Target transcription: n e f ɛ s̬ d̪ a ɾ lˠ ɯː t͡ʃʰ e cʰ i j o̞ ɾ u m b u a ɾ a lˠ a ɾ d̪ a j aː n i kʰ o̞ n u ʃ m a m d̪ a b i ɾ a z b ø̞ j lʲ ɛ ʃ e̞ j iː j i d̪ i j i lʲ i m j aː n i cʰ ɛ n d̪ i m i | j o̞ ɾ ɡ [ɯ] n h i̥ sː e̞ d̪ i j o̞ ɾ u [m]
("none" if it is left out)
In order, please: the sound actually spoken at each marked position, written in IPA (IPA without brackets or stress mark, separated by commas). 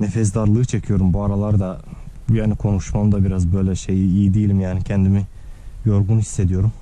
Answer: u, m